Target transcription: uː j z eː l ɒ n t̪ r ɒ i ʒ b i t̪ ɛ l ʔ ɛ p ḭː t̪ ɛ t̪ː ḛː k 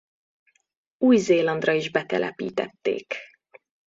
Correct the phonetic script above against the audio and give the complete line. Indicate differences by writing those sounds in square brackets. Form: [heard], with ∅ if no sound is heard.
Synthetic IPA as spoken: uː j z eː l ɒ n [d̪] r ɒ i ʒ b [ɛ] t̪ ɛ l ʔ ɛ p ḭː t̪ ɛ t̪ː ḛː k

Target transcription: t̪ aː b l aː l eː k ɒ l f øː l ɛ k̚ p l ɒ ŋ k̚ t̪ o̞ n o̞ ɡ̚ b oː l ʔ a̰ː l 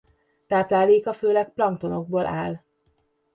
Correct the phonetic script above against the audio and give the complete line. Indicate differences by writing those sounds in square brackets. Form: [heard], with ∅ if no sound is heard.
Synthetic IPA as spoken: t̪ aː [p] l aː l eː k ɒ [∅] f øː l ɛ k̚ p l ɒ ŋ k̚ t̪ o̞ n o̞ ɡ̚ b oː l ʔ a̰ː l

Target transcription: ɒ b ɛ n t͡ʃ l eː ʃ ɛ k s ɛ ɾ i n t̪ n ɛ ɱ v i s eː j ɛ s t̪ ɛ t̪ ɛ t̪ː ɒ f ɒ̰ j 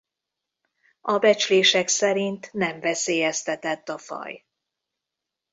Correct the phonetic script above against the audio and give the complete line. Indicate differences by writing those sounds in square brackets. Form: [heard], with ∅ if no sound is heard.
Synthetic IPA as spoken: ɒ b ɛ [∅] t͡ʃ l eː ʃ ɛ k s ɛ ɾ i n t̪ n ɛ ɱ v [ɛ] s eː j ɛ s t̪ ɛ t̪ ɛ t̪ː ɒ f ɒ̰ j

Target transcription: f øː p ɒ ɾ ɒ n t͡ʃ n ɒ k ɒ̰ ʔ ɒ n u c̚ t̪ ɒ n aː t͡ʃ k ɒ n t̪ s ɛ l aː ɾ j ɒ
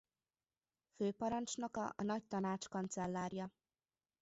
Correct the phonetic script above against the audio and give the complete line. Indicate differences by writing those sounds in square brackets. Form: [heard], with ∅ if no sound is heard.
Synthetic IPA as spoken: f øː p ɒ ɾ ɒ n t͡ʃ n ɒ k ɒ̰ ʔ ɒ n [ɒ] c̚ t̪ ɒ n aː t͡ʃ k ɒ n t̪ s ɛ [lː] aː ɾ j ɒ

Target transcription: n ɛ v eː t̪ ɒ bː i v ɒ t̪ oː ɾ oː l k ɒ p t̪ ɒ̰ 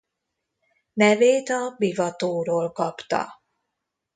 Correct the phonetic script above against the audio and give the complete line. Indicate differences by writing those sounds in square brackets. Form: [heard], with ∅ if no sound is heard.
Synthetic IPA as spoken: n ɛ v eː t̪ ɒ [b] i v ɒ t̪ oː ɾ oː l k ɒ p t̪ ɒ̰

